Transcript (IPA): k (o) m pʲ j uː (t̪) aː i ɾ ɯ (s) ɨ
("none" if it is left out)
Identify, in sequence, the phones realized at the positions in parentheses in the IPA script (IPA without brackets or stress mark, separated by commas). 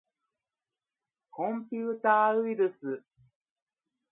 õ, t̪, s